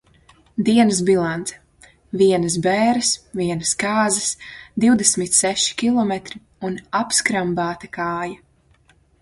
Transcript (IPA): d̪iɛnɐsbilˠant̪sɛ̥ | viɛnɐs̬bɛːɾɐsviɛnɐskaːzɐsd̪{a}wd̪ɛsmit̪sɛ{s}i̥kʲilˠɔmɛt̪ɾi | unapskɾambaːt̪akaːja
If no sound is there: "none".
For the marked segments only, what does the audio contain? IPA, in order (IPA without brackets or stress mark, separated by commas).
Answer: i, ʃ